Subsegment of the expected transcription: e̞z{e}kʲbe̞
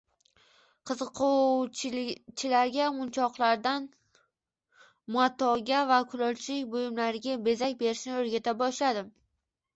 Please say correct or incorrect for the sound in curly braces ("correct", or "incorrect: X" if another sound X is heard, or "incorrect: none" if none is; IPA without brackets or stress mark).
incorrect: a